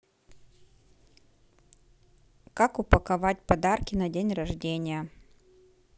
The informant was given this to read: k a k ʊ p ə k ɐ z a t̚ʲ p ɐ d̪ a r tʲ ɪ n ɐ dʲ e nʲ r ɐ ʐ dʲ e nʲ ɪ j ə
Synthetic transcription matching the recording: k a k ʊ p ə k ɐ v a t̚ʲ p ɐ d̪ a r kʲ ɪ n ɐ dʲ e nʲ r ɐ ʐ dʲ e nʲ ɪ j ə